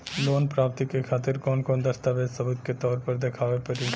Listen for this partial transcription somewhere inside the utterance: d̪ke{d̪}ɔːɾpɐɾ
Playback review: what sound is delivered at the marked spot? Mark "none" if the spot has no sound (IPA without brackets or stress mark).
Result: t̪